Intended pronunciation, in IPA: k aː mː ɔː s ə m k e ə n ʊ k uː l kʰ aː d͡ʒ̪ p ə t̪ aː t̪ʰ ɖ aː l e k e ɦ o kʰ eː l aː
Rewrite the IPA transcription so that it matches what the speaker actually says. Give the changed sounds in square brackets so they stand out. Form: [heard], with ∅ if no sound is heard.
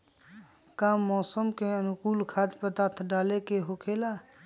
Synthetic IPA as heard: k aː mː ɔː s ə m k e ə n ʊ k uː l kʰ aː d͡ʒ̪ p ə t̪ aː t̪ʰ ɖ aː l e k e ɦ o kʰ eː l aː